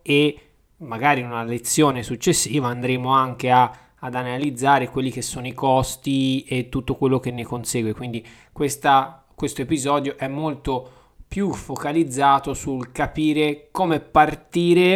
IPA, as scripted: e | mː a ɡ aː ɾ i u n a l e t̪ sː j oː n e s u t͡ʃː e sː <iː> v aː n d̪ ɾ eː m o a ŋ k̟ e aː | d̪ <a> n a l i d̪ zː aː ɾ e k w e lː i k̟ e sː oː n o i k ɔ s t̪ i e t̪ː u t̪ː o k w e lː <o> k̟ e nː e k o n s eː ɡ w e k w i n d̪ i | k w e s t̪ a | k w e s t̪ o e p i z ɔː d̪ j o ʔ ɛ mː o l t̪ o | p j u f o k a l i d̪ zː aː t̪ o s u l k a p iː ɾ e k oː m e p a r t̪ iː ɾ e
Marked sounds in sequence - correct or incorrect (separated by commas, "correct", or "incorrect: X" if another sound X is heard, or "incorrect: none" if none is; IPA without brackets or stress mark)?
correct, correct, correct